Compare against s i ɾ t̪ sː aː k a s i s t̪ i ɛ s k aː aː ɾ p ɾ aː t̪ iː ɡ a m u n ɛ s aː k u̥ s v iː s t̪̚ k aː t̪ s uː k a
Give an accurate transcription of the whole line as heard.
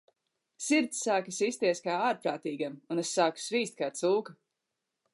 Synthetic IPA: s i ɾ t̪ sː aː k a s i s t̪ i ɛ s k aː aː ɾ p ɾ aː t̪ iː ɡ a m u n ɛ s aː k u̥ s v iː s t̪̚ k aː t̪ s uː k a